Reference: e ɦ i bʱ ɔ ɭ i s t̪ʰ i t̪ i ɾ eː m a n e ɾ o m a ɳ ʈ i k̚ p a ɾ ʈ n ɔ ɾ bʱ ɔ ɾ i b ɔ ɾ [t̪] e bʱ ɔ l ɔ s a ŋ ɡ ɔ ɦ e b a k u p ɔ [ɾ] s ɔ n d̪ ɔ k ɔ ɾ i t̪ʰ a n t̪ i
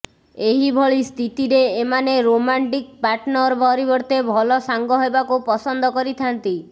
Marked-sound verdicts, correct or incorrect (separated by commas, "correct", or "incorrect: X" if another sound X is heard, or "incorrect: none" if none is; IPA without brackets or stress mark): correct, incorrect: none